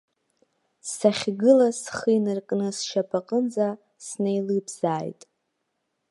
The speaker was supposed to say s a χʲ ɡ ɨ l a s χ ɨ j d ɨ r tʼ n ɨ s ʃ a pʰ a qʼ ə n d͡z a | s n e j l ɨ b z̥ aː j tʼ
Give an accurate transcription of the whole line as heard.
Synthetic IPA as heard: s a χʲ ɡ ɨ l a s χ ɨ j n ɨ r kʼ n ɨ s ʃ a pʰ a qʼ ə n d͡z a | s n e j l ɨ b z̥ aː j tʼ